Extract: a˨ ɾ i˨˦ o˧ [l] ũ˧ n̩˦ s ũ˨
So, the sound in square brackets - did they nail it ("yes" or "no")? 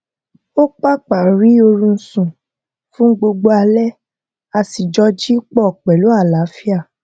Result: no